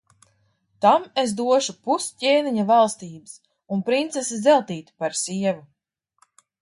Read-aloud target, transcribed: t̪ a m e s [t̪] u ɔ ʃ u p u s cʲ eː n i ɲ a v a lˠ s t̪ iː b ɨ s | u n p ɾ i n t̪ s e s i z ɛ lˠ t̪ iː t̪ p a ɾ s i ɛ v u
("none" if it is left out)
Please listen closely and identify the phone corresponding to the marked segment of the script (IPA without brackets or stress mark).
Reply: d̪